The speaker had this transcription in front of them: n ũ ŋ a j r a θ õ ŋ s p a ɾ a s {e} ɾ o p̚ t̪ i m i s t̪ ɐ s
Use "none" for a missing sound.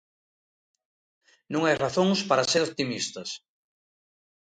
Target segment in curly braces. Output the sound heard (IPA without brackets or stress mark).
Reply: e